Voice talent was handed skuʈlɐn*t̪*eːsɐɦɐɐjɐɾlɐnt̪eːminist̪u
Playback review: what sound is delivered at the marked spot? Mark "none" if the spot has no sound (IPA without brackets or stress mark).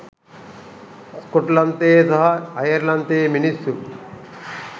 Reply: t̪